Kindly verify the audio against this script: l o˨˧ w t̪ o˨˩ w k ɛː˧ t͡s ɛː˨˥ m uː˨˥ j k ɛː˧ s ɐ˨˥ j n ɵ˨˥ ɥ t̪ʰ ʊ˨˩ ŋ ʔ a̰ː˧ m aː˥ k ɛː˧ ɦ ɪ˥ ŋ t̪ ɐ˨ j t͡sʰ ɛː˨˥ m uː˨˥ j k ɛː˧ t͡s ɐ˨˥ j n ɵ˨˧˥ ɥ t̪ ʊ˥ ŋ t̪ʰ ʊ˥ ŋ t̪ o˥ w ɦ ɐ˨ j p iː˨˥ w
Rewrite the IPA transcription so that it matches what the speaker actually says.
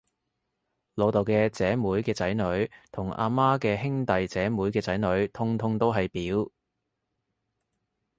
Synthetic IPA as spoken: l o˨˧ w t̪ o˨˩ w k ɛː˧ t͡s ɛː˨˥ m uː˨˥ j k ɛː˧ t͡s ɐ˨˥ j n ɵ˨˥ ɥ t̪ʰ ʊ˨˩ ŋ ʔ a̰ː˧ m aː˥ k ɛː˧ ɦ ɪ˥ ŋ t̪ ɐ˨ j t͡s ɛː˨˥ m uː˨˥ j k ɛː˧ t͡s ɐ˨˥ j n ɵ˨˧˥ ɥ t̪ʰ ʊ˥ ŋ t̪ʰ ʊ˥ ŋ t̪ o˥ w ɦ ɐ˨ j p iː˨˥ w

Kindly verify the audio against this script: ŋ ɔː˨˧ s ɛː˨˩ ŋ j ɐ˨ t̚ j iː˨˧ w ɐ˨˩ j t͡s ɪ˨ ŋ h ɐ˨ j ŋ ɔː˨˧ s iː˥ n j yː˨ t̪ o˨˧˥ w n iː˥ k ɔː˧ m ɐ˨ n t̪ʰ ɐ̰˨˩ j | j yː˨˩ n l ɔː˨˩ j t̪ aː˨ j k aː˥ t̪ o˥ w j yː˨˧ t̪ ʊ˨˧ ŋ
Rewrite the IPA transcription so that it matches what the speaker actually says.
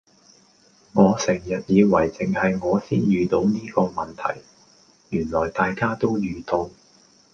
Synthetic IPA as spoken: ŋ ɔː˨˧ s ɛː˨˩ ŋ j ɐ˨ t̚ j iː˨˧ w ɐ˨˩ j t͡s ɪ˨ ŋ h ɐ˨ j ŋ ɔː˨˧ s iː˥ n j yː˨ t̪ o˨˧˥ w n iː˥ k ɔː˧ m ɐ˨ n t̪ʰ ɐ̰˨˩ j | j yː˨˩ n l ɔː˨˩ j t̪ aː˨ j k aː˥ t̪ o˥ w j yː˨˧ t̪ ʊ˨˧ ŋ

